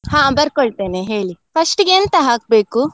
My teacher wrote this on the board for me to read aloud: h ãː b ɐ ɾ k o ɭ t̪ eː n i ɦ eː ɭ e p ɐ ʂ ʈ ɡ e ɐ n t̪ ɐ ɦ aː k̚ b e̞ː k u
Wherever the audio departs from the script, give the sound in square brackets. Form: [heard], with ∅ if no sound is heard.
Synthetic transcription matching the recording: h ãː b ɐ ɾ k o ɭ t̪ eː n [e] ɦ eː ɭ [i] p ɐ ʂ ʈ ɡ e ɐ n t̪ ɐ ɦ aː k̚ b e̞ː k u